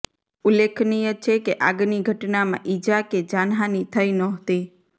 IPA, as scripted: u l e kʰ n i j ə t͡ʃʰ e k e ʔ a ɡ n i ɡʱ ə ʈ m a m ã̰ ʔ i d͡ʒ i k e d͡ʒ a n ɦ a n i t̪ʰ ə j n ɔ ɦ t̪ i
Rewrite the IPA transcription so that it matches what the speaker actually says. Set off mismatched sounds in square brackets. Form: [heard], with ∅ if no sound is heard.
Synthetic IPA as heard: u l e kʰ n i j ə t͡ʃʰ e k e ʔ a ɡ n i ɡʱ ə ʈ [n] a m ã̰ ʔ i d͡ʒ [a] k e d͡ʒ a n ɦ a n i t̪ʰ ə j n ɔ ɦ t̪ i